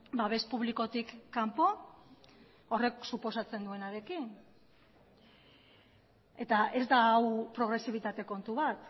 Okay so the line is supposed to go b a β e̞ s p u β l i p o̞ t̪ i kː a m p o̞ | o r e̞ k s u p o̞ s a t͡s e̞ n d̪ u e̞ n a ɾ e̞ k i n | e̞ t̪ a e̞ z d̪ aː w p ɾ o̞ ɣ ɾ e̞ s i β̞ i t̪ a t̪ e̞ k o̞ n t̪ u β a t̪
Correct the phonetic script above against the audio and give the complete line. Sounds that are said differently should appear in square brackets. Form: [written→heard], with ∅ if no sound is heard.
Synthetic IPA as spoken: b a β e̞ s p u β l i [p→k] o̞ t̪ i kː a m p o̞ | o r e̞ k s u p o̞ s a t͡s e̞ n d̪ u e̞ n a ɾ e̞ k i n | e̞ t̪ a e̞ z d̪ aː w p ɾ o̞ ɣ ɾ e̞ s i β̞ i t̪ a t̪ e̞ k o̞ n t̪ u β a t̪

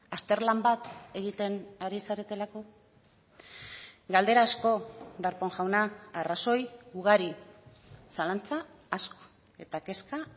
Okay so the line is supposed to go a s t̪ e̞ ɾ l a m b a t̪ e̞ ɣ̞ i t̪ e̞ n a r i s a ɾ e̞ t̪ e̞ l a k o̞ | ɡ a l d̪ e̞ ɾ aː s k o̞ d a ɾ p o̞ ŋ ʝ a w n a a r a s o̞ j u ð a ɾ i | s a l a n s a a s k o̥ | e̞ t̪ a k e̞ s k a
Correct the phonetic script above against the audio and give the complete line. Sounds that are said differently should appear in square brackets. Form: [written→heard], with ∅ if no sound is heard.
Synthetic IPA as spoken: a s t̪ e̞ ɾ l a m b a t̪ e̞ ɣ̞ i t̪ e̞ n a [r→ɾ] i s a ɾ e̞ t̪ e̞ l a k o̞ | ɡ a l d̪ e̞ ɾ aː s k o̞ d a ɾ p o̞ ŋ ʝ a w n a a r a s o̞ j u [ð→ɣ] a ɾ i | s a l a n [s→t͡s] a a s k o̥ | e̞ t̪ a k e̞ s k a

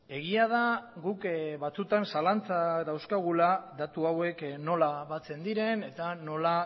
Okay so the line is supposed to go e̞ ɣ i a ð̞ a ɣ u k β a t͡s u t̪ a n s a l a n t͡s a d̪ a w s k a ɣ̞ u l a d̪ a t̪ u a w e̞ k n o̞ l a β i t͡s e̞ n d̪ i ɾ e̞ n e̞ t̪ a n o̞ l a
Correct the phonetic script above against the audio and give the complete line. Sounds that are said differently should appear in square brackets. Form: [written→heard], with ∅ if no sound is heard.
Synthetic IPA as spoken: e̞ ɣ i a ð̞ a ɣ u k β a t͡s u t̪ a n s a l a n t͡s a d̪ a w s k a ɣ̞ u l a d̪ a t̪ u a w e̞ k n o̞ l a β [i→a] t͡s e̞ n d̪ i ɾ e̞ n e̞ t̪ a n o̞ l a

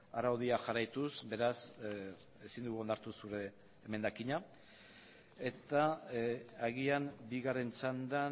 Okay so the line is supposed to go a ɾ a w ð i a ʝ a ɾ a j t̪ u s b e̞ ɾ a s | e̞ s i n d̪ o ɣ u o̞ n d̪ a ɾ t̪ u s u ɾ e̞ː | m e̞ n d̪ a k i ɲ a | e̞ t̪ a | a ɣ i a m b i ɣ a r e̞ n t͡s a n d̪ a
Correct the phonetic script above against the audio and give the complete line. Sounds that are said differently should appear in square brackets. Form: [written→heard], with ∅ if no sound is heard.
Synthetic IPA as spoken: a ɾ a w ð i a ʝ a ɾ a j t̪ u s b e̞ ɾ a s | e̞ s i n d̪ [o→u] ɣ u o̞ n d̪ a ɾ t̪ u s u ɾ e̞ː | m e̞ n d̪ a k i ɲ a | e̞ t̪ a | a ɣ i a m b i ɣ a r e̞ n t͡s a n d̪ a

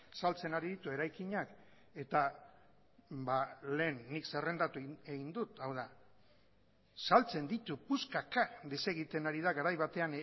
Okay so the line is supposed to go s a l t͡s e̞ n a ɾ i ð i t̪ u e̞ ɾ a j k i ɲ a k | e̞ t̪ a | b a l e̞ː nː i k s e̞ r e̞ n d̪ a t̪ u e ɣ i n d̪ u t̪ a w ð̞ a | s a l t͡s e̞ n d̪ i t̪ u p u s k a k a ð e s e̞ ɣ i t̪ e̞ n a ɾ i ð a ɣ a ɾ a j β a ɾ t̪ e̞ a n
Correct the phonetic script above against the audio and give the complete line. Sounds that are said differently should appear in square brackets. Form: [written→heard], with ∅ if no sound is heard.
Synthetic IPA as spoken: s a l t͡s e̞ n a ɾ i ð i t̪ u e̞ ɾ a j k i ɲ a k | e̞ t̪ a | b a l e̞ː nː i k s e̞ r e̞ n d̪ a t̪ u e ɣ i n d̪ u t̪ a w ð̞ a | s a l t͡s e̞ n d̪ i t̪ u p u s k a k a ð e s e̞ ɣ i t̪ e̞ n a ɾ i ð a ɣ a ɾ a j β a [ɾ→∅] t̪ e̞ a n

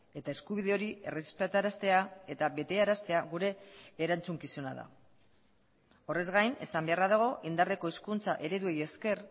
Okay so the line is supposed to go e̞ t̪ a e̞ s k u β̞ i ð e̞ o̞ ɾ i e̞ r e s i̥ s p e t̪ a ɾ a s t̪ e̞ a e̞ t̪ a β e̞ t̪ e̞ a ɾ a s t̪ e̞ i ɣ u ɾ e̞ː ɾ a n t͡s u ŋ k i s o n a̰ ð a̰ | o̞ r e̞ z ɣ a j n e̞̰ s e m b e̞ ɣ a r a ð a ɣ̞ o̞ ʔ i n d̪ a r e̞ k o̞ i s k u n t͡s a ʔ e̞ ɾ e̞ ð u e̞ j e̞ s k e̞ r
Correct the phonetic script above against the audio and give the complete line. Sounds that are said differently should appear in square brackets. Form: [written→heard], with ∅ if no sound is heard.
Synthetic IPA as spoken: e̞ t̪ a e̞ s k u β̞ i ð e̞ o̞ ɾ i e̞ r e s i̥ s p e t̪ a ɾ a s t̪ e̞ a e̞ t̪ a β e̞ t̪ e̞ a ɾ a s t̪ e̞ [i→a] ɣ u ɾ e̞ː ɾ a n t͡s u ŋ k i s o n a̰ ð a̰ | o̞ r e̞ z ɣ a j n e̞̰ s [e→a] m b e̞ [ɣ→∅] a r a ð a ɣ̞ o̞ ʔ i n d̪ a r e̞ k o̞ i s k u n t͡s a ʔ e̞ ɾ e̞ ð u e̞ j e̞ s k e̞ r

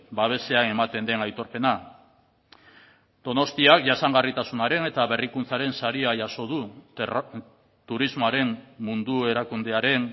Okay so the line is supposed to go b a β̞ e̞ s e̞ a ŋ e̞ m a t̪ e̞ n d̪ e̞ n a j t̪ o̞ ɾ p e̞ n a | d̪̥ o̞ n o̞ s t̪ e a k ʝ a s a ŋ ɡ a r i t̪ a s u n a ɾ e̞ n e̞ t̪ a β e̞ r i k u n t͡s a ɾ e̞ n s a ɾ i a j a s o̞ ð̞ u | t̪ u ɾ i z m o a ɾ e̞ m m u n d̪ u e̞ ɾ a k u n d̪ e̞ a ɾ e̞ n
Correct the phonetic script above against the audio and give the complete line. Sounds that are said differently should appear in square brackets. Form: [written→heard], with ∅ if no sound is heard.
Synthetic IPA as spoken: b a β̞ e̞ s e̞ a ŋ e̞ m a t̪ e̞ n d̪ e̞ n a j t̪ o̞ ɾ p e̞ n a | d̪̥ o̞ n o̞ s t̪ [e→i] a k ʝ a s a ŋ ɡ a r i t̪ a s u n a ɾ e̞ n e̞ t̪ a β e̞ r i k u n t͡s a ɾ e̞ n s a ɾ i a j a s o̞ ð̞ u | t̪ u ɾ i z m o a ɾ e̞ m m u n d̪ u e̞ ɾ a k u n d̪ e̞ a ɾ e̞ n

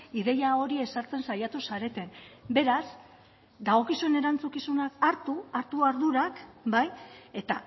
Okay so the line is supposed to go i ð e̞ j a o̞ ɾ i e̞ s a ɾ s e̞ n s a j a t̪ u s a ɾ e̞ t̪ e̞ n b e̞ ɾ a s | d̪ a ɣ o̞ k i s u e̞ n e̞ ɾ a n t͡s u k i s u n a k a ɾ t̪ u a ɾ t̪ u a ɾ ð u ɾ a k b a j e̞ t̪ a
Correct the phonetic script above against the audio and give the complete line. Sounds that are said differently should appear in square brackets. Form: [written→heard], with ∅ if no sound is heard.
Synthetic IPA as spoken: i ð e̞ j a o̞ ɾ i e̞ s a ɾ [s→t͡s] e̞ n s a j a t̪ u s a ɾ e̞ t̪ e̞ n b e̞ ɾ a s | d̪ a ɣ o̞ k i s u e̞ n e̞ ɾ a n t͡s u k i s u n a k a ɾ t̪ u a ɾ t̪ u a ɾ ð u ɾ a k b a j e̞ t̪ a

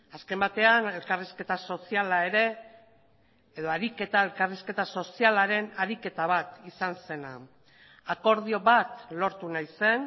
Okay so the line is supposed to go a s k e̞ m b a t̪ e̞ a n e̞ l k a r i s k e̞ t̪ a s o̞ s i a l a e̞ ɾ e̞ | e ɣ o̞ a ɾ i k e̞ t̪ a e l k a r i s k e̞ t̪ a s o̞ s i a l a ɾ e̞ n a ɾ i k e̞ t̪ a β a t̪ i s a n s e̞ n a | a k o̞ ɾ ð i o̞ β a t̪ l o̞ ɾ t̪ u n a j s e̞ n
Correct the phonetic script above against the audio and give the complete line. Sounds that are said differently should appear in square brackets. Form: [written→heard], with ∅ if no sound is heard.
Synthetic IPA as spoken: a s k e̞ m b a t̪ e̞ a n e̞ l k a r i s k e̞ t̪ a s o̞ s i a l a e̞ ɾ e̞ | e [ɣ→ð] o̞ a ɾ i k e̞ t̪ a e l k a r i s k e̞ t̪ a s o̞ s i a l a ɾ e̞ n a ɾ i k e̞ t̪ a β a t̪ i s a n s e̞ n a | a k o̞ ɾ ð i o̞ β a t̪ l o̞ ɾ t̪ u n a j s e̞ n

